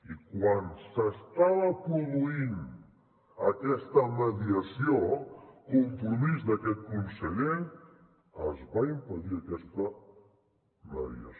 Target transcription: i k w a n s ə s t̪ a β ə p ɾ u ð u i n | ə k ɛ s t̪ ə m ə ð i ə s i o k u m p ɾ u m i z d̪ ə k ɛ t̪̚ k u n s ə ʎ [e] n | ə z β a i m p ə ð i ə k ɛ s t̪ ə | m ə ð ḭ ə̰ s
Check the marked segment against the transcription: correct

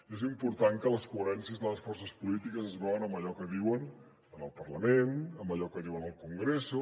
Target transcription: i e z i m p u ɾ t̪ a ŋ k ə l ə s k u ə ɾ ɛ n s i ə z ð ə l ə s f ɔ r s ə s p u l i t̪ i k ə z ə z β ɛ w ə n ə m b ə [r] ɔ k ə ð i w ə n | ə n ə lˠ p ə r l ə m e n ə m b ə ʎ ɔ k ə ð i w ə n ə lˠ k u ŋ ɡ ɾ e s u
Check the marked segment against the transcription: incorrect: ʎ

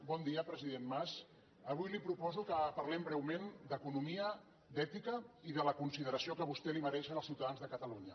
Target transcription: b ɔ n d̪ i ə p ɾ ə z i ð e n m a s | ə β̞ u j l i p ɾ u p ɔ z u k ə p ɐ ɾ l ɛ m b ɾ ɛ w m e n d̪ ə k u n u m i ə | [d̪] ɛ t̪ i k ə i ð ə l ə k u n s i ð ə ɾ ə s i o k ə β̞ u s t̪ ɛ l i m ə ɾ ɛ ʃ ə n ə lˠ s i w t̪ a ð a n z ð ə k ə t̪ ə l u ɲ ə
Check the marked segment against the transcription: correct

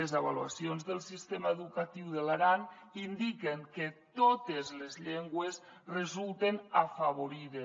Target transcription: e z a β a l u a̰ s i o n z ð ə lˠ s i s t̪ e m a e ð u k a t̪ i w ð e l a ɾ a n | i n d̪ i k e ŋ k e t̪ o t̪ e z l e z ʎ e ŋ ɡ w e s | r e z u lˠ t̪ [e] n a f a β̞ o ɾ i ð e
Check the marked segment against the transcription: correct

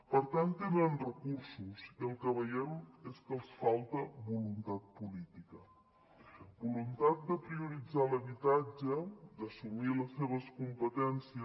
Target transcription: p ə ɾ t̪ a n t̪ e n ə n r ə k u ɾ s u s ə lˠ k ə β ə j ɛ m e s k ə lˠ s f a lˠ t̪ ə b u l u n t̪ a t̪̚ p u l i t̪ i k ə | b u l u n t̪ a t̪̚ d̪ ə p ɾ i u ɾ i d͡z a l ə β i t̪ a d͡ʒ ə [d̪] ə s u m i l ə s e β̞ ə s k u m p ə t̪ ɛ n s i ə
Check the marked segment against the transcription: correct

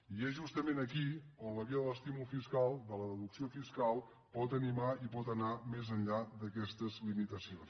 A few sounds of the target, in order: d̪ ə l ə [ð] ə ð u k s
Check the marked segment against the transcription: correct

